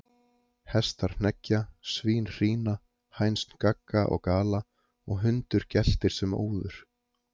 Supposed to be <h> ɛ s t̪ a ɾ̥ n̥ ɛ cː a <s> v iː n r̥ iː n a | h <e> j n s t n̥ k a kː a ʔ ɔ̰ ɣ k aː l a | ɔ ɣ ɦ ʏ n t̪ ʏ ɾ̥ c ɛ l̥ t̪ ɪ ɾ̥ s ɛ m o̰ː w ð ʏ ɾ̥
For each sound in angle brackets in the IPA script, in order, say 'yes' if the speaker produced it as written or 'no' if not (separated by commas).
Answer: yes, yes, no